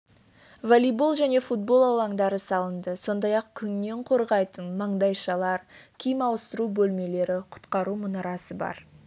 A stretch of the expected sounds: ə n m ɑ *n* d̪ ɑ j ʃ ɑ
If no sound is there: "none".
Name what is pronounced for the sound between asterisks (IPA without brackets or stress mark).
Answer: ɴ